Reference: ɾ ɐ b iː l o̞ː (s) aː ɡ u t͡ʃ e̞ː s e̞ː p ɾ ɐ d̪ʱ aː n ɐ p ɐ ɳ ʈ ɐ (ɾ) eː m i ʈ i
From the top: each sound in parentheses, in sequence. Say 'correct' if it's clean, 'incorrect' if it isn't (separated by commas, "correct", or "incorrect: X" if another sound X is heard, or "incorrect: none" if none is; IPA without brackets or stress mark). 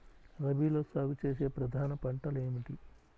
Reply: correct, incorrect: l